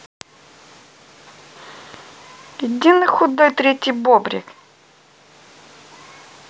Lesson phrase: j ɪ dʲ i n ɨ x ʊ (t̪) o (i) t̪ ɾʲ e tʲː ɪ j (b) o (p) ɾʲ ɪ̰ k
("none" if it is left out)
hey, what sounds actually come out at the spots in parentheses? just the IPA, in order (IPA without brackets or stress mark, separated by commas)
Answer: d̪, j, b, b